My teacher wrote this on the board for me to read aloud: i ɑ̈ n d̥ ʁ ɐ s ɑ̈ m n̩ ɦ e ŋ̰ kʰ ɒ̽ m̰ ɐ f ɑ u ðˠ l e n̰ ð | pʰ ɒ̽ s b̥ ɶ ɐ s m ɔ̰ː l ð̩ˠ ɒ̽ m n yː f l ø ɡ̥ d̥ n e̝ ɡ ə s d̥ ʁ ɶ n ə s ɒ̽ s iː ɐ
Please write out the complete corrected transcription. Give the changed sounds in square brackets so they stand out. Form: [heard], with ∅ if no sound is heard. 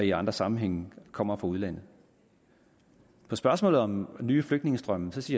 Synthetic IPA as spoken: i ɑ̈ n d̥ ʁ ɐ s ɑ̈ m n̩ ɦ e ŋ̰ kʰ ɒ̽ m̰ ɐ f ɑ u ðˠ l [æ] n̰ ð | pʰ ɒ̽ s b̥ ɶ ɐ s m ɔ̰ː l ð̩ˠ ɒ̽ m n yː f l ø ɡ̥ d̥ n e̝ [ŋ] ə s d̥ ʁ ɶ [m] ə s ɒ̽ s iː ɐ